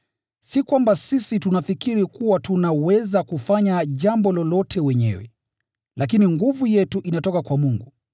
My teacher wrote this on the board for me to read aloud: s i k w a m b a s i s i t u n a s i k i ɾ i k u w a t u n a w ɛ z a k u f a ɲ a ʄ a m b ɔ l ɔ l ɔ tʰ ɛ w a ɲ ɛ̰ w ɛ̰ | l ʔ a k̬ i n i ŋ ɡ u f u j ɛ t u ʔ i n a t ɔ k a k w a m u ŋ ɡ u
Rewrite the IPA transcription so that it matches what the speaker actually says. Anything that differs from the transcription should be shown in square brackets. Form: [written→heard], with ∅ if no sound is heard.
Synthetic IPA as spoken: s i k w a m b a s i s i t u n a [s→f] i k i ɾ i k u w a t u n a w ɛ z a k u f a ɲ a ʄ a m b ɔ l ɔ l ɔ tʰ ɛ w [a→ɛ] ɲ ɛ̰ w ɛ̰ | l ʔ a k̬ i n i ŋ ɡ u [f→v] u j ɛ t u ʔ i n a t ɔ k a k w a m u ŋ ɡ u